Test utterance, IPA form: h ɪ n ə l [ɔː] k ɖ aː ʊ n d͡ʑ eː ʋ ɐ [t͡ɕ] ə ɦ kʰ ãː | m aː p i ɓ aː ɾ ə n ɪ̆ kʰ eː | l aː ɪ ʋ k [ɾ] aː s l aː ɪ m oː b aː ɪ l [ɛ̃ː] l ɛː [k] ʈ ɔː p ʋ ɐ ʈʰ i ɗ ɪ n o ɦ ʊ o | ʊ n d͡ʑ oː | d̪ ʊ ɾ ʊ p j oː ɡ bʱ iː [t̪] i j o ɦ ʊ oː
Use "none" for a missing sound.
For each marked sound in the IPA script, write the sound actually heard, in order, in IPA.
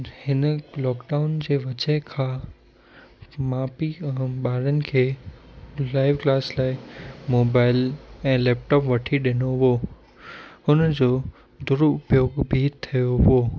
ɔː, t͡ɕ, l, ɛ̃ː, p, t̪ʰ

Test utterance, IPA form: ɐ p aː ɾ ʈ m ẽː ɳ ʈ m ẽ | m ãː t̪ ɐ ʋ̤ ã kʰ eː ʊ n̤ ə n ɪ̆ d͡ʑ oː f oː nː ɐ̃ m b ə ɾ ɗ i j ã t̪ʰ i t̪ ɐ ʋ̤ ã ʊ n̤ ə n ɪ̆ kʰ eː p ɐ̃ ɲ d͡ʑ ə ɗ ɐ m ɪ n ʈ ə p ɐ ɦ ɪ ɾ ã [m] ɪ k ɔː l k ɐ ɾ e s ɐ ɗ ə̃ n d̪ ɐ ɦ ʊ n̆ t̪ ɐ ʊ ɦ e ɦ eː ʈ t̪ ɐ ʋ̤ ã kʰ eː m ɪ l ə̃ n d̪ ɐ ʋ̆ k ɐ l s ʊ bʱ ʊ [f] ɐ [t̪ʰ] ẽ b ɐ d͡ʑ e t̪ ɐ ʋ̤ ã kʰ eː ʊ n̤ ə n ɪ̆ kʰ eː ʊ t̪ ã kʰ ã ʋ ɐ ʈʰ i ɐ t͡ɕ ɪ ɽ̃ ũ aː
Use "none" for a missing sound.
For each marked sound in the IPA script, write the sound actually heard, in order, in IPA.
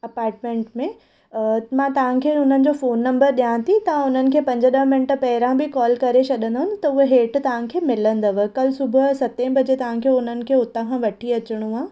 b, s, t̪

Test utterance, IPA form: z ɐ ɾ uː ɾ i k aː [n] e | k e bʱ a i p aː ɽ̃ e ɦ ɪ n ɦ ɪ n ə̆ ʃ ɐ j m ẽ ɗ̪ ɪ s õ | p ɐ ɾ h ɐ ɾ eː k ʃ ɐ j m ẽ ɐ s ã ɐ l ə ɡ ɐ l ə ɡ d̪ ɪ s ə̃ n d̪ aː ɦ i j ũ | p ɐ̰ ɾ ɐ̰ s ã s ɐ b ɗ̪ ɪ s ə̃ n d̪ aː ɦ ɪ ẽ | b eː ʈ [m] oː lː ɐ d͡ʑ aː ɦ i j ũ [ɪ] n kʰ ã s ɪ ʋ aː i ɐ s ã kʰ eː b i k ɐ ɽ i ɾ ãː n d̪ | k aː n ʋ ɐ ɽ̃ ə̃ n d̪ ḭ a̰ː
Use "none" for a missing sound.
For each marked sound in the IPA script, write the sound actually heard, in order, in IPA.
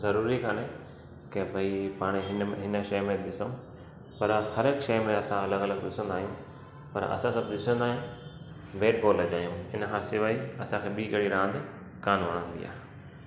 n, b, ɪ

